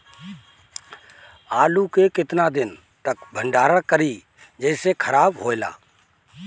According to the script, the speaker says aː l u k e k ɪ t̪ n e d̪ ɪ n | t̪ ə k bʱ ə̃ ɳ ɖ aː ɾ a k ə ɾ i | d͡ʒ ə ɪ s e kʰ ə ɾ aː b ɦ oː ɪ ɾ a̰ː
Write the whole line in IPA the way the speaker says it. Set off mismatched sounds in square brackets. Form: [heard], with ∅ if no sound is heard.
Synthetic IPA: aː l u k e k ɪ t̪ n [a] d̪ ɪ n | t̪ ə k bʱ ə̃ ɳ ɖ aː ɾ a k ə ɾ i | d͡ʒ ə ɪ s e kʰ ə ɾ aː b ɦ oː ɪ [l] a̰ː